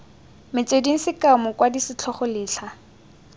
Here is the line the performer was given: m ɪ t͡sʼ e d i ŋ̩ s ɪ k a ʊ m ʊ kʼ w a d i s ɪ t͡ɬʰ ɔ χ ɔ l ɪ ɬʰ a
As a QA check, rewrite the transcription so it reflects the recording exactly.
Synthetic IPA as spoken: m ɪ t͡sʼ e d i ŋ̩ s ɪ k a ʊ m ʊ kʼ w a d i s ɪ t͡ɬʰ ɔ χ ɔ l ɪː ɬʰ a